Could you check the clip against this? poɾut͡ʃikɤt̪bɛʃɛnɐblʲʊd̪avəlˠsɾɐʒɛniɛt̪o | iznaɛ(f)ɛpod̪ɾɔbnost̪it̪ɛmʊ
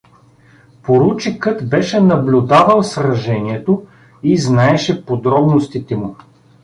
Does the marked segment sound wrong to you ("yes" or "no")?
yes